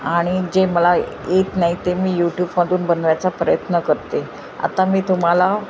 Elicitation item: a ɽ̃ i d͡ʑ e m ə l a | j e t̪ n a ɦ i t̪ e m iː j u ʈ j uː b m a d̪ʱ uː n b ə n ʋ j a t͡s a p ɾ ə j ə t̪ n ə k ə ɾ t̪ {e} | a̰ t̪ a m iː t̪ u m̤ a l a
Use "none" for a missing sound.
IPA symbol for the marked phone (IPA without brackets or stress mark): e